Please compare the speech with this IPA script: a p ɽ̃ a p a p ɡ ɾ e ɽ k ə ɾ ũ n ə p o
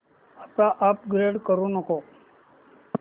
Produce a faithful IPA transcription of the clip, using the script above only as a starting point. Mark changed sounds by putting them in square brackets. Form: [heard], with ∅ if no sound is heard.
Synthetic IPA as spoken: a p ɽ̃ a [ʔ] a p ɡ ɾ e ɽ k ə ɾ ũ n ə [k] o